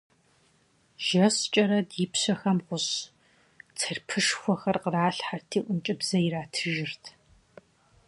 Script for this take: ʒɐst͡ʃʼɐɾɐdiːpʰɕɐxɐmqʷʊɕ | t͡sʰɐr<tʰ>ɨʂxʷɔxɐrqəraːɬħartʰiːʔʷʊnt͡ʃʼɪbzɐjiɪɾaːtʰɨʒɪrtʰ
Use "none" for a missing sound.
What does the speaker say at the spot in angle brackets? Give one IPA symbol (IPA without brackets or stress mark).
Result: pʰ